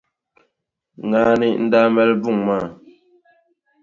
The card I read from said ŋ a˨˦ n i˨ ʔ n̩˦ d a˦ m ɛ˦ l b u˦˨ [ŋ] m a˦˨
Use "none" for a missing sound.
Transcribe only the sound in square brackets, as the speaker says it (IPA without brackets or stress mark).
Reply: ŋ